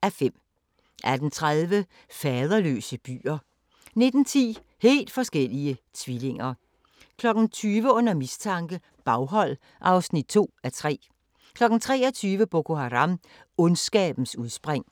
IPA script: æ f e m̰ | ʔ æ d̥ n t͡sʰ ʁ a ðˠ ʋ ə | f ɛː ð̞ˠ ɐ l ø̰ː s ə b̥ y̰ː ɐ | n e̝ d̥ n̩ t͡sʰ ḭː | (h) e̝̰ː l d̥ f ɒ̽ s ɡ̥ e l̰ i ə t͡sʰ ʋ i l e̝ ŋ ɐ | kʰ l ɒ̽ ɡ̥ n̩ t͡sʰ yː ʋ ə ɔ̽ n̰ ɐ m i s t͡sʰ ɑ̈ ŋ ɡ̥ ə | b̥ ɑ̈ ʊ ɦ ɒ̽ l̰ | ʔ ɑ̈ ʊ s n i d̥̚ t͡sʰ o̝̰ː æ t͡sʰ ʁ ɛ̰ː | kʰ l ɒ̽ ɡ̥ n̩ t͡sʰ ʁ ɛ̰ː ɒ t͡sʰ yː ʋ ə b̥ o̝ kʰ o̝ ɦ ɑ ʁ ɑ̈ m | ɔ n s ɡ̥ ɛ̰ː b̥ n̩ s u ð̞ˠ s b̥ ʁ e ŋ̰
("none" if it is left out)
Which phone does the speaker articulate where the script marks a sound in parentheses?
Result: h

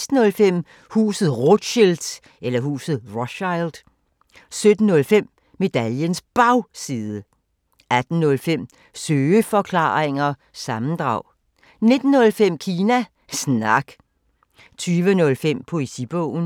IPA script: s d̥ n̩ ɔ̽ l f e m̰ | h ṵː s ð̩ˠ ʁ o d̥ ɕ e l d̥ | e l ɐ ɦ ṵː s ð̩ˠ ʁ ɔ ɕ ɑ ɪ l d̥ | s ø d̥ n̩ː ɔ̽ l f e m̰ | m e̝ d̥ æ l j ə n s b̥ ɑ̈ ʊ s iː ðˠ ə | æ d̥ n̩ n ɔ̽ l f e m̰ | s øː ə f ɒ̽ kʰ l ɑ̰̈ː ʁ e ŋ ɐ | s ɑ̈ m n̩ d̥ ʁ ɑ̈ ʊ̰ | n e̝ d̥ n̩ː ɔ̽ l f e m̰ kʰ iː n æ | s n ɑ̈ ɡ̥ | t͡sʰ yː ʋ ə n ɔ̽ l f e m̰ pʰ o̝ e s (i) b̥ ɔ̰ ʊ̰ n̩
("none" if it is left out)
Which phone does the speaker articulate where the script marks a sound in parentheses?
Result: i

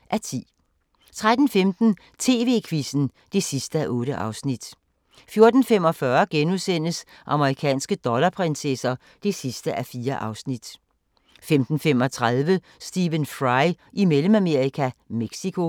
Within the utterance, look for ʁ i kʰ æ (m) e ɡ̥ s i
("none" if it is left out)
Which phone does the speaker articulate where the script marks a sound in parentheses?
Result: m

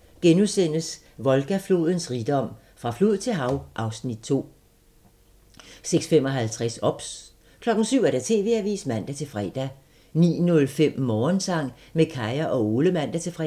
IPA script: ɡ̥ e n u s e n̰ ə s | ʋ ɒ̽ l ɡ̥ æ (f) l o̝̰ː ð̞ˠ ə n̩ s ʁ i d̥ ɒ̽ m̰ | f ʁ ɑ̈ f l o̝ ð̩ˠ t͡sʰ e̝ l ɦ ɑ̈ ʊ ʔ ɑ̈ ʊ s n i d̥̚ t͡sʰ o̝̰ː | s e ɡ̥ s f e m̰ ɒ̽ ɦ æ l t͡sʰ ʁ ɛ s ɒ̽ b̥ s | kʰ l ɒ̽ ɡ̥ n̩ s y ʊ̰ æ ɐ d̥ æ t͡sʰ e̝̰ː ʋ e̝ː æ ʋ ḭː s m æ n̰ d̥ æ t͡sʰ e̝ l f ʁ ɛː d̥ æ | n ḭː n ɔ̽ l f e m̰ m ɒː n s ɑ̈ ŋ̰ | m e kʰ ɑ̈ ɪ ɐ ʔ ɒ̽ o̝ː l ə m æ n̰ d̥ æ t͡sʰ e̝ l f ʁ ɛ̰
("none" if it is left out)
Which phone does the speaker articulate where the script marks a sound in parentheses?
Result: f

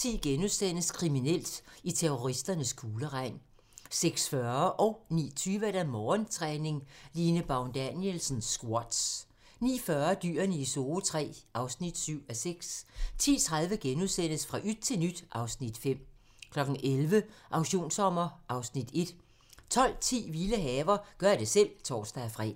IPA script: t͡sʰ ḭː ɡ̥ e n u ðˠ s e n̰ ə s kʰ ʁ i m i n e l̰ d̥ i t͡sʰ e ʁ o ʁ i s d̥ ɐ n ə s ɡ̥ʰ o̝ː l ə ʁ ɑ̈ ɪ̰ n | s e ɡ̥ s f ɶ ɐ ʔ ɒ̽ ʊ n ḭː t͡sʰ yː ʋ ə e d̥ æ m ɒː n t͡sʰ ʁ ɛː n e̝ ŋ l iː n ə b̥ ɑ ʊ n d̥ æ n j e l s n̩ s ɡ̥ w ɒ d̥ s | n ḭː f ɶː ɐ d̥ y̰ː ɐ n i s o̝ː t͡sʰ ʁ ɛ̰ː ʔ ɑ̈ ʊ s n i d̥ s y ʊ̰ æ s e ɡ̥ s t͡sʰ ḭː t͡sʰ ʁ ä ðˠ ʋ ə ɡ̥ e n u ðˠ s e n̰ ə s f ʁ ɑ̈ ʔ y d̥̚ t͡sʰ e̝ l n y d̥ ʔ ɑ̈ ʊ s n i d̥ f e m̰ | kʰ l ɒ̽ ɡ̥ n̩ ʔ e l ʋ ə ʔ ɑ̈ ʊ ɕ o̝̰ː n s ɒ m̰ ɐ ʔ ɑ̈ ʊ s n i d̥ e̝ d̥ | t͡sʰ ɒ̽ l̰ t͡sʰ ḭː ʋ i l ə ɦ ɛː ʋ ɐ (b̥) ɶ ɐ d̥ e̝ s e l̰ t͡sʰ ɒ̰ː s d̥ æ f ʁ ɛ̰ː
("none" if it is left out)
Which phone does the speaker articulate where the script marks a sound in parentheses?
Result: ɡ̥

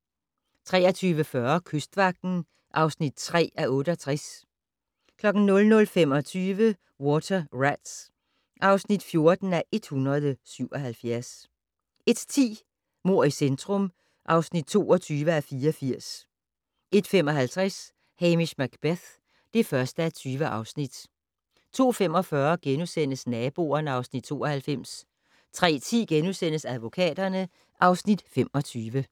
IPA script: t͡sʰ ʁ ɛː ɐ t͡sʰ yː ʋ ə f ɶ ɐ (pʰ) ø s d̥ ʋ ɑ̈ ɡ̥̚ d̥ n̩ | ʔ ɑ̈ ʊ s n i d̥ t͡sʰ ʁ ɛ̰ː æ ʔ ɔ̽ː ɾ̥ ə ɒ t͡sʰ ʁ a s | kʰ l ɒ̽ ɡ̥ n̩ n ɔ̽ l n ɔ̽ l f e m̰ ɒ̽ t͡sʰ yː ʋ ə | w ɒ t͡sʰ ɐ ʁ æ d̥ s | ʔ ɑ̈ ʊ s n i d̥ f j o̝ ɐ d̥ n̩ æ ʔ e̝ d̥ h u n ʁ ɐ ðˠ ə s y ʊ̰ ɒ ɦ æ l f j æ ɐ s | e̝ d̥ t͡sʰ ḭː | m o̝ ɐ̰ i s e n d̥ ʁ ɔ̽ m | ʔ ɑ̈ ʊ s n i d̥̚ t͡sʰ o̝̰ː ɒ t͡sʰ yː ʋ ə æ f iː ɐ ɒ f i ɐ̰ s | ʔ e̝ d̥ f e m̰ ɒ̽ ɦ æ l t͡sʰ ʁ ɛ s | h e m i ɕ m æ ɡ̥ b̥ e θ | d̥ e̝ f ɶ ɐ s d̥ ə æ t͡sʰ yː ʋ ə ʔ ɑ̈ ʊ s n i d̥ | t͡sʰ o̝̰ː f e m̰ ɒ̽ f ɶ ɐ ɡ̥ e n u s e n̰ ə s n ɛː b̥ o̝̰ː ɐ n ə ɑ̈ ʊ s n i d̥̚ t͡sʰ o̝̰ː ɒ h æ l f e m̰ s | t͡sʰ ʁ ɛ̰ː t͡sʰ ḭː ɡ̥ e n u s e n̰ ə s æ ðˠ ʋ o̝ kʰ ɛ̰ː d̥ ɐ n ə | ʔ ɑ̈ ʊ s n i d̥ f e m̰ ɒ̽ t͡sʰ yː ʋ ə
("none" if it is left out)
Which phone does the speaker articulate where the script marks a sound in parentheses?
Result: kʰ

